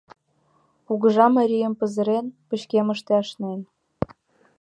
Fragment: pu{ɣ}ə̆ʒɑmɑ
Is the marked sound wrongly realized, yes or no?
no